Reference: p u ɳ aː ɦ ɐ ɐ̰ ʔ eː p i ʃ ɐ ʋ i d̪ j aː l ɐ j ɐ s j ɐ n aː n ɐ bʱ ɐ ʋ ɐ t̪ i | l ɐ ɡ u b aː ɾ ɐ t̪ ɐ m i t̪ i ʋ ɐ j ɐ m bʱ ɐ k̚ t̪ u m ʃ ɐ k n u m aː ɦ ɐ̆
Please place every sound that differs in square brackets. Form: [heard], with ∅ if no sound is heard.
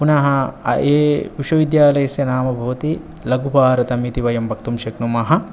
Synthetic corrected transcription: p u [n] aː ɦ ɐ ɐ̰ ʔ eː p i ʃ ɐ ʋ i d̪ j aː l ɐ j ɐ s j ɐ n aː [m] ɐ bʱ ɐ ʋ ɐ t̪ i | l ɐ ɡ u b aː ɾ ɐ t̪ ɐ m i t̪ i ʋ ɐ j ɐ m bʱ ɐ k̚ t̪ u m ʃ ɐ k n u m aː ɦ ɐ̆